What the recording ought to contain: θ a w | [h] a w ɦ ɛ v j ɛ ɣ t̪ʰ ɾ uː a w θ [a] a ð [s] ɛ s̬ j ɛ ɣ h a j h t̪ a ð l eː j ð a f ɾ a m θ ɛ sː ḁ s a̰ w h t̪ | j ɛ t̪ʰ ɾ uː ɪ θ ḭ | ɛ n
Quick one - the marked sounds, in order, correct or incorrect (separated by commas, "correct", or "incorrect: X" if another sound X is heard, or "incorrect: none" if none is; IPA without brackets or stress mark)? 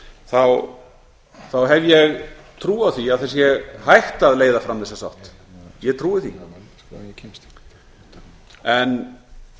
incorrect: θ, incorrect: i, incorrect: θ